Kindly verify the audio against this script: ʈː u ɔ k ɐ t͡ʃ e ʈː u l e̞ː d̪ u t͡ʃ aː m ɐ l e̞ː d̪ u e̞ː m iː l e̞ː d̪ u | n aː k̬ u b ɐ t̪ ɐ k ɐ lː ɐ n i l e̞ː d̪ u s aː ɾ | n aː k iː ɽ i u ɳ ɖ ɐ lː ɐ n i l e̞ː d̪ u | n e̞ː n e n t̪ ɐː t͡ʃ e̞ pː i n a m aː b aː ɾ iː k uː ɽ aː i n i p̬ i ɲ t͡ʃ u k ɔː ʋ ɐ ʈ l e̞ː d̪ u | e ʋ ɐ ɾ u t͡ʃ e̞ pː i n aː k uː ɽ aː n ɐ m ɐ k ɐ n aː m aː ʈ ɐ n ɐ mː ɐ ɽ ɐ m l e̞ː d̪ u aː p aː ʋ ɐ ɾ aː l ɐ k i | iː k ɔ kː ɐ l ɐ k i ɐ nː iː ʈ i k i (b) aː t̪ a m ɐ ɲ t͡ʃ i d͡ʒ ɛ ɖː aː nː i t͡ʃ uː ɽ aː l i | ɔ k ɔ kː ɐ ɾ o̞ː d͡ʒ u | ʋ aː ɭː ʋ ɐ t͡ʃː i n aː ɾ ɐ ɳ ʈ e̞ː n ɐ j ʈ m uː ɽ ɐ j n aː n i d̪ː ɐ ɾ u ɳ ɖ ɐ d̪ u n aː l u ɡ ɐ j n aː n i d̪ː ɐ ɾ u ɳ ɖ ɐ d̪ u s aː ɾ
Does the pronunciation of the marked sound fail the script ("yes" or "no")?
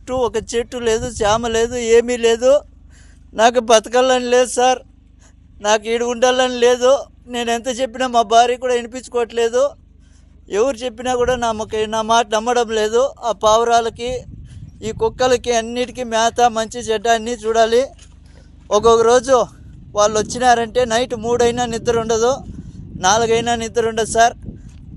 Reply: yes